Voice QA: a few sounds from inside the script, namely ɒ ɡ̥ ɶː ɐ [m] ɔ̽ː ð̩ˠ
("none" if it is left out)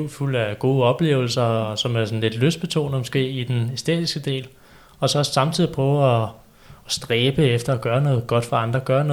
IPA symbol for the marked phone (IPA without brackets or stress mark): n